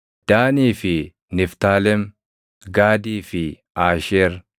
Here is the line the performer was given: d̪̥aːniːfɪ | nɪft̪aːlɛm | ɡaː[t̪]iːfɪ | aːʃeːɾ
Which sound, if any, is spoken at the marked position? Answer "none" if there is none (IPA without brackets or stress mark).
d̪